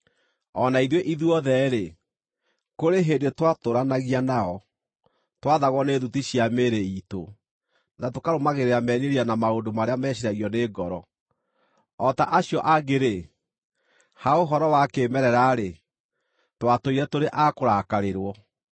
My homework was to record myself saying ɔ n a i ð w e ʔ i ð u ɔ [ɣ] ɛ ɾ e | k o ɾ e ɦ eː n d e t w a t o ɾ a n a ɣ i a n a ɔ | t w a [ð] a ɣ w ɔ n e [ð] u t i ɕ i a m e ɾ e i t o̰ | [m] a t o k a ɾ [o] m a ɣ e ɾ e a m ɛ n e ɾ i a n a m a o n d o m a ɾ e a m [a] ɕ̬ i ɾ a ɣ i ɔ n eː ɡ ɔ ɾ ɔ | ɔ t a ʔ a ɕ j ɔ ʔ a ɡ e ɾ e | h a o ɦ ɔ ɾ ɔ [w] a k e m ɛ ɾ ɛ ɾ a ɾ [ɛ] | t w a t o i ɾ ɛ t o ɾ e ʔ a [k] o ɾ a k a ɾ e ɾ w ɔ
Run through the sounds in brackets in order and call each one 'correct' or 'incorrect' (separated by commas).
incorrect, correct, correct, incorrect, correct, incorrect, correct, incorrect, correct